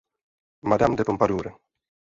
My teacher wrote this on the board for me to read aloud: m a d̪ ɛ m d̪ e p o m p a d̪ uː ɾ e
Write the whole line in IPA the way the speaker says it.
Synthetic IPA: m a d̪ a m d̪ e p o m p a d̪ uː ɾ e